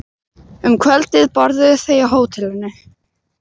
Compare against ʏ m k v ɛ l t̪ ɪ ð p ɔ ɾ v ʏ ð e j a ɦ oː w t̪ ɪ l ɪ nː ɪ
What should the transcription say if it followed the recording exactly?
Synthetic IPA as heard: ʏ m kʰ v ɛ l t̪ ɪ ð p ɔ ɾ ð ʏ θ e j a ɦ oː w t̪ʰ ɪ l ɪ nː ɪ